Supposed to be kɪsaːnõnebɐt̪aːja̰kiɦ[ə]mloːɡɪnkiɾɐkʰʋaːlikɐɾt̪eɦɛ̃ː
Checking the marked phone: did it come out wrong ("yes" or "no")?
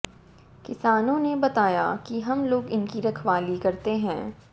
yes